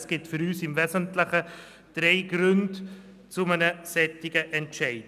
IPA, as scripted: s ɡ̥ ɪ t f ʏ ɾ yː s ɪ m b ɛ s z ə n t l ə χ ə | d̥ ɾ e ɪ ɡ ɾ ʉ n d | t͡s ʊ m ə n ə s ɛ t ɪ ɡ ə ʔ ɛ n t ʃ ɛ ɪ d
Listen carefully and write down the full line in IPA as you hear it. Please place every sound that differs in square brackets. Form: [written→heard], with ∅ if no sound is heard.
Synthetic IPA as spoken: s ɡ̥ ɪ t f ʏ ɾ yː s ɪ m [b→v] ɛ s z ə n t l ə χ ə | d̥ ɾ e ɪ ɡ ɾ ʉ n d | t͡s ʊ m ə n ə s ɛ t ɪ ɡ ə ʔ ɛ n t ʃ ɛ ɪ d